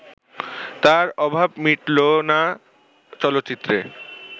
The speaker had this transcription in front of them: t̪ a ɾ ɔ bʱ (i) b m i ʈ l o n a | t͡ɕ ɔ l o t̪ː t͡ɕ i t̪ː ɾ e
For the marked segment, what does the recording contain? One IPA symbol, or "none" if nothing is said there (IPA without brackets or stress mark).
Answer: a